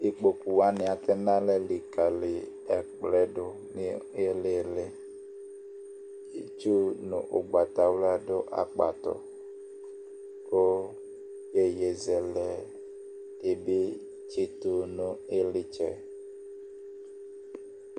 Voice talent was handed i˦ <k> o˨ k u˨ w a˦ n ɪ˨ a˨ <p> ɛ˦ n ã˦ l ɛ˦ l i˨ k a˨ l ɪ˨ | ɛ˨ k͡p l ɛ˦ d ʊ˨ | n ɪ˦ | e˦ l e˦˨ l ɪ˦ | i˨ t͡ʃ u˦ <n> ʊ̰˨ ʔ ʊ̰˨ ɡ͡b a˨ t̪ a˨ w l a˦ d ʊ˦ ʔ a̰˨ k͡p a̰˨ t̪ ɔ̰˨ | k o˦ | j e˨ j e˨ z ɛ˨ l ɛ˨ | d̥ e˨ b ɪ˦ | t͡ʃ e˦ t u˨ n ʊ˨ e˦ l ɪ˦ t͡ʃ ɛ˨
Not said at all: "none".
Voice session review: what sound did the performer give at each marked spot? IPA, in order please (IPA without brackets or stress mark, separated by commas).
k͡p, t, n